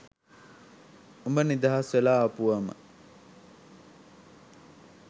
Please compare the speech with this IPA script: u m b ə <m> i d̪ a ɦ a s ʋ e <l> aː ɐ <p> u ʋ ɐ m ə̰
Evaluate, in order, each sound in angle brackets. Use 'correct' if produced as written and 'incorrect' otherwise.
incorrect, correct, correct

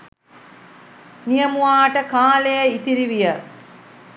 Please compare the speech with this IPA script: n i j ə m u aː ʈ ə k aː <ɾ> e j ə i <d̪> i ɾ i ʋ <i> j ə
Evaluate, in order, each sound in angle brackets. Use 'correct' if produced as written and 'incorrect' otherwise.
incorrect, incorrect, correct

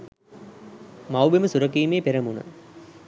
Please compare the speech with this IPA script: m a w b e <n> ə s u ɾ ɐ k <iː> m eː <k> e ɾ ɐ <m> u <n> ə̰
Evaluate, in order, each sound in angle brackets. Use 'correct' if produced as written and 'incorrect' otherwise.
incorrect, correct, incorrect, correct, correct

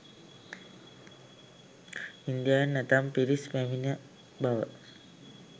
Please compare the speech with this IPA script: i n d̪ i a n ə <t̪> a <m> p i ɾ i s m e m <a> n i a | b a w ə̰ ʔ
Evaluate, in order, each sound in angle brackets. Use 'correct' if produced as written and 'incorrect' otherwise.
correct, correct, incorrect

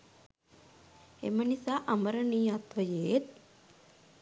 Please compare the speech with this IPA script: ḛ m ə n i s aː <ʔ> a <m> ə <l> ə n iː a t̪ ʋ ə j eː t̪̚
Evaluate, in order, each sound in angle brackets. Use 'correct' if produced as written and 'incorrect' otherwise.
correct, correct, incorrect

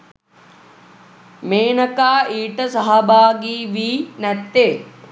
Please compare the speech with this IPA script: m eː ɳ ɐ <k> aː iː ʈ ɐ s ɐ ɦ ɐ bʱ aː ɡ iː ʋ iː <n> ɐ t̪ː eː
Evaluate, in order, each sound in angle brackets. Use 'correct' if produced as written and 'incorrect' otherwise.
correct, correct

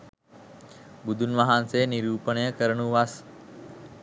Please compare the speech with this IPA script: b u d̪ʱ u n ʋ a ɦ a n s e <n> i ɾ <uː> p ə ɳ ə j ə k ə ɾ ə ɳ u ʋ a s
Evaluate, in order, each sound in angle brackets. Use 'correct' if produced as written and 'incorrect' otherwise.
correct, correct

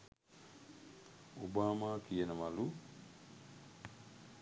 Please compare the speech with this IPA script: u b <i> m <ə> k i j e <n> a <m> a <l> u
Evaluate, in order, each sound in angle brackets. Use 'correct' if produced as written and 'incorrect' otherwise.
incorrect, incorrect, correct, correct, correct

